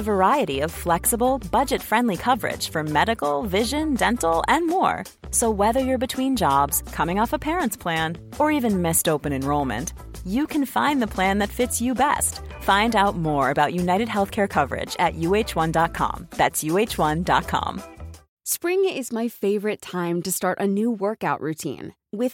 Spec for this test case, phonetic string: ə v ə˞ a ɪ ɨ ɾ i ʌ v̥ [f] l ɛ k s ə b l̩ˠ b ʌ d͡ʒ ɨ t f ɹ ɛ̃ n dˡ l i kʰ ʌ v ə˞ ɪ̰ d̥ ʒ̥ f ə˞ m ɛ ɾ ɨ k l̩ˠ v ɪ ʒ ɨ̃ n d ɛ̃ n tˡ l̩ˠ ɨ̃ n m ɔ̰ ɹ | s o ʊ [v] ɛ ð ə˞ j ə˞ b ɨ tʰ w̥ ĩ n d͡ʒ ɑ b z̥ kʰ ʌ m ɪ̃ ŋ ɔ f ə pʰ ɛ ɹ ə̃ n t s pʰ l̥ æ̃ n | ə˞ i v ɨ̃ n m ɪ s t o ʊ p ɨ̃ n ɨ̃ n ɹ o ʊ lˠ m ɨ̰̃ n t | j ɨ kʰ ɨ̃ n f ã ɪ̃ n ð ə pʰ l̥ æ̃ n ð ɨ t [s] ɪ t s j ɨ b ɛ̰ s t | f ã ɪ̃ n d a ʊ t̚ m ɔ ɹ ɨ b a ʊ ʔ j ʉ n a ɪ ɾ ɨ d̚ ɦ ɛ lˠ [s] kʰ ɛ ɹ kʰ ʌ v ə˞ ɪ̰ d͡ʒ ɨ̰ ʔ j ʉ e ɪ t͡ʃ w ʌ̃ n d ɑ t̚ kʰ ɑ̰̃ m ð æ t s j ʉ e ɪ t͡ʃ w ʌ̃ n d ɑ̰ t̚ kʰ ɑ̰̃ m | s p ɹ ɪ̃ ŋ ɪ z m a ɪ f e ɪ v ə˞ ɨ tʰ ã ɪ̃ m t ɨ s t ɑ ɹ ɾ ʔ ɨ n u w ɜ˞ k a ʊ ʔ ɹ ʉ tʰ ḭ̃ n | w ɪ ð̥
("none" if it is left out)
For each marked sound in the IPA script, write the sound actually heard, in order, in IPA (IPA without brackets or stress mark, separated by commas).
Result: f, w, f, θ